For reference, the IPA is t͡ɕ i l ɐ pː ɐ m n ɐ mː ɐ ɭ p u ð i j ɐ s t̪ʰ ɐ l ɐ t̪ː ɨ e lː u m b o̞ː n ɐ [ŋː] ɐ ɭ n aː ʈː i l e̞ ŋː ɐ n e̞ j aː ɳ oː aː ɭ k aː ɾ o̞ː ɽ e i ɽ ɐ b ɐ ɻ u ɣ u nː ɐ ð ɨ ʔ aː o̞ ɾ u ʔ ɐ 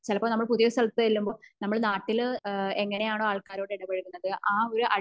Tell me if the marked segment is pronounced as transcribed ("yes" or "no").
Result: no